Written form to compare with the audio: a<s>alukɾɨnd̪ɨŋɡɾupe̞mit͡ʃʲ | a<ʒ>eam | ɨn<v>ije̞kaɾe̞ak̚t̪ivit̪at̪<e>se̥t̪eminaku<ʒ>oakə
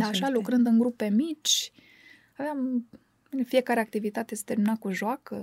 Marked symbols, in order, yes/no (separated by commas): no, no, no, yes, yes